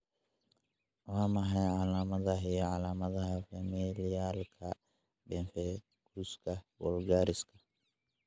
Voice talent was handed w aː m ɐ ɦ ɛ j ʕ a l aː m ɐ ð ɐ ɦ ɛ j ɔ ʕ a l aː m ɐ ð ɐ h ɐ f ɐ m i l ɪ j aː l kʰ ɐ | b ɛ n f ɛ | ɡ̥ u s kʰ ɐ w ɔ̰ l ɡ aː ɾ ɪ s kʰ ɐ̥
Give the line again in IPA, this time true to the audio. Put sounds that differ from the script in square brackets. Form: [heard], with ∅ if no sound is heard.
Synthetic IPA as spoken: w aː m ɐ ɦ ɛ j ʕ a l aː m ɐ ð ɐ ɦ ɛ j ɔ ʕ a l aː m ɐ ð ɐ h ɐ f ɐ m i l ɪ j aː l kʰ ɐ | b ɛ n f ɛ | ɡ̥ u s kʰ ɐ w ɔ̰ l ɡ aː ɾ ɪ s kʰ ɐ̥